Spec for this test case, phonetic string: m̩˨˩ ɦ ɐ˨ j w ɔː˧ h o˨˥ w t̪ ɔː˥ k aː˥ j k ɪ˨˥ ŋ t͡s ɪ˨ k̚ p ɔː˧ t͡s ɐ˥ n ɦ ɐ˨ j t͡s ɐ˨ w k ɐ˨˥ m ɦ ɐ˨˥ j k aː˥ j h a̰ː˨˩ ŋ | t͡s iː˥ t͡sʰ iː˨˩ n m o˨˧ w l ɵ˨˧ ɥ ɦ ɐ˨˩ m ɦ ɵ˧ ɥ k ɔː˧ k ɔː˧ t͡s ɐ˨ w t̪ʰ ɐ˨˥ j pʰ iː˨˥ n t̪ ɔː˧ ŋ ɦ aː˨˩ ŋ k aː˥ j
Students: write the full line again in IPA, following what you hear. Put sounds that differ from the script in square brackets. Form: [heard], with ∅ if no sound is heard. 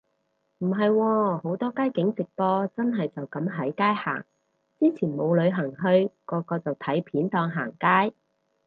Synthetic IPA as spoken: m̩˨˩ ɦ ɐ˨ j w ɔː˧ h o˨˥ w t̪ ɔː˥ k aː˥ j k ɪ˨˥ ŋ t͡s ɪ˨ k̚ p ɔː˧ t͡s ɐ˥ n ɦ ɐ˨ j t͡s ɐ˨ w k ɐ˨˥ m ɦ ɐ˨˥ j k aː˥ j h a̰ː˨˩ ŋ | t͡s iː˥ t͡sʰ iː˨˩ n m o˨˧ w l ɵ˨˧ ɥ ɦ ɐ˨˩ [ŋ] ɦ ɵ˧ ɥ k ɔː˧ k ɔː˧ t͡s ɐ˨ w t̪ʰ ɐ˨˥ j pʰ iː˨˥ n t̪ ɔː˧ ŋ ɦ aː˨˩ ŋ k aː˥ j